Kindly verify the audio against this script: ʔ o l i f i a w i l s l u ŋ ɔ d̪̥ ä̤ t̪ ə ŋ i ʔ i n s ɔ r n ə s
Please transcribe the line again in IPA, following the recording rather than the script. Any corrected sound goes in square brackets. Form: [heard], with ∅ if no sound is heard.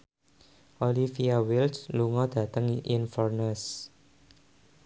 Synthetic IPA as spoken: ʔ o l i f i a w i l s l u ŋ ɔ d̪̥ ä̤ t̪ ə ŋ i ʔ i n [f] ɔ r n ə s